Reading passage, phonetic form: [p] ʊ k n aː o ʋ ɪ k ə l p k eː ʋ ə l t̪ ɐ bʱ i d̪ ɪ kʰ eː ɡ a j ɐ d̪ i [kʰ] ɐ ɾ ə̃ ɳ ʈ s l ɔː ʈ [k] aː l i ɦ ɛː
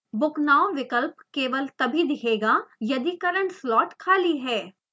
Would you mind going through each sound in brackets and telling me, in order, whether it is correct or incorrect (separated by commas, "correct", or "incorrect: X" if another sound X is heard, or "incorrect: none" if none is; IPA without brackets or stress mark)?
incorrect: b, incorrect: k, incorrect: kʰ